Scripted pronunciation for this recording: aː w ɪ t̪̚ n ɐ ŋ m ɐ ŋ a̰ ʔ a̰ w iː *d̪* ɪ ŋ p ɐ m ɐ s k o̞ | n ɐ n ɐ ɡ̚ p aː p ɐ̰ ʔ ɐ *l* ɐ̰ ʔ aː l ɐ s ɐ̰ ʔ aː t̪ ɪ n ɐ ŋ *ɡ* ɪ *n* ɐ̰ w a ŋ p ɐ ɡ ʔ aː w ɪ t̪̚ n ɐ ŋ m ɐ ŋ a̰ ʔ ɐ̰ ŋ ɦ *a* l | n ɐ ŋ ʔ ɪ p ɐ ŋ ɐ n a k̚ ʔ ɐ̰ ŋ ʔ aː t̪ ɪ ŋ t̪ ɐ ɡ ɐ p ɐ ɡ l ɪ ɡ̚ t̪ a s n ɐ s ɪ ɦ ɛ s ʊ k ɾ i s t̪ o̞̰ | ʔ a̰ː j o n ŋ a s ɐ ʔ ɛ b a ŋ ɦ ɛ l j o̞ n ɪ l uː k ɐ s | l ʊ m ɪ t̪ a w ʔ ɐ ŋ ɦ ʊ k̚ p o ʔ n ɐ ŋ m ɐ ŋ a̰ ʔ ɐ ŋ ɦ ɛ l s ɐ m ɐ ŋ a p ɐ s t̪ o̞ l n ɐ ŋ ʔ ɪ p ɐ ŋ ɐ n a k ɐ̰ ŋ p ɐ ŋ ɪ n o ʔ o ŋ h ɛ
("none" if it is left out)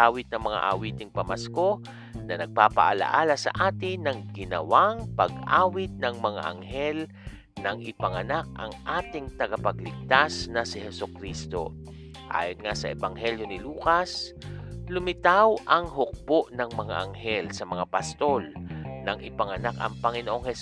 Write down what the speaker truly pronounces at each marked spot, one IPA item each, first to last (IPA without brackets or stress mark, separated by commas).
t̪, l, ɡ, n, ɛ